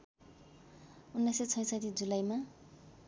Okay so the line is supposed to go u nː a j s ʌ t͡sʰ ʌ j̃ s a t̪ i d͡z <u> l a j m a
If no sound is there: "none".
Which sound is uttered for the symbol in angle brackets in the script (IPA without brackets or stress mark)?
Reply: u